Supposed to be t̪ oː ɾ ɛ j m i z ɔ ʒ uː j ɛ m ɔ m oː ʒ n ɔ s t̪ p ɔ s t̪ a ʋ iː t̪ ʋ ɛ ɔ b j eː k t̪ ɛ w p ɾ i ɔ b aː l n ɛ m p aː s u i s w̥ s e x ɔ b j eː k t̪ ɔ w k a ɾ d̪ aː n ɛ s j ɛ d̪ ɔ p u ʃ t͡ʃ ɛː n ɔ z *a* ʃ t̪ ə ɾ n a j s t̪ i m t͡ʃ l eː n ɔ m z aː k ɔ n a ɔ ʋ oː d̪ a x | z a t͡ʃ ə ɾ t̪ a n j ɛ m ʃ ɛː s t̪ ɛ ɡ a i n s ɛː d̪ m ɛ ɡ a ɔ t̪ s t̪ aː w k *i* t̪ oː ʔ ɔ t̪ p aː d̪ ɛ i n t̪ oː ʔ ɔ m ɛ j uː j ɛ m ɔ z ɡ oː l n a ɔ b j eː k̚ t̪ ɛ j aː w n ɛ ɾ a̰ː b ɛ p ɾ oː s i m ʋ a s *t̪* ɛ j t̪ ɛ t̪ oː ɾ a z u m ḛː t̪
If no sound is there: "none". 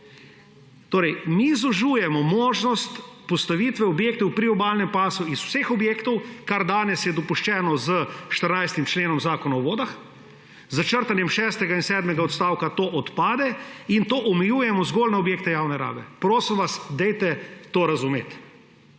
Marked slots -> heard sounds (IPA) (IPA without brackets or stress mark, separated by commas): ə, a, d̪